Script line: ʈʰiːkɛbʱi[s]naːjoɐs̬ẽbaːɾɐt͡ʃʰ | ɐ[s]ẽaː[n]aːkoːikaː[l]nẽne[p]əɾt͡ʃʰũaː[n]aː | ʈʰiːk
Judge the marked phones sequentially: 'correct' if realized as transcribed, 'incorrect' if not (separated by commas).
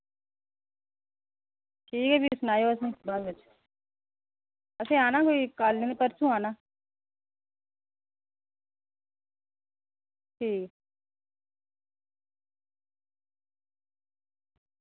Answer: correct, correct, correct, correct, correct, correct